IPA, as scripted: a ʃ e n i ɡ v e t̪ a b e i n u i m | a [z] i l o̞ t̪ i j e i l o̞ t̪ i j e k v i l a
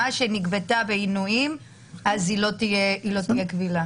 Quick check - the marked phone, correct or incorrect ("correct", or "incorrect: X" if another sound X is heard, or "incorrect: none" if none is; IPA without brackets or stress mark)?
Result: correct